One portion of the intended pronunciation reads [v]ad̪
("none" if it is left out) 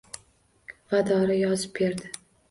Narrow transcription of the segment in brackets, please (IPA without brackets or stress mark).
v